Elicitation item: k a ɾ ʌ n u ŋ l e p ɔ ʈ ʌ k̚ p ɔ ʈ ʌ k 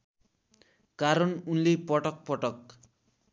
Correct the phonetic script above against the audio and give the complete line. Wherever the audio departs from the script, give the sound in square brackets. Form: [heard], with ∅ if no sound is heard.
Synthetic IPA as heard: k a ɾ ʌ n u [n] l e p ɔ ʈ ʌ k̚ p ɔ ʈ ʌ k